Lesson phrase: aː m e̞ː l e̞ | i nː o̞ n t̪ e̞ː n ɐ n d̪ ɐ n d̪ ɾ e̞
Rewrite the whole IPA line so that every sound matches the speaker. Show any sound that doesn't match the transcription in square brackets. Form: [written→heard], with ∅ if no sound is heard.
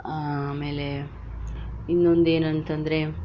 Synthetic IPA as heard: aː m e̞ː l e̞ | i nː o̞ n [t̪→d̪] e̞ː n ɐ n [d̪→t̪] ɐ n d̪ ɾ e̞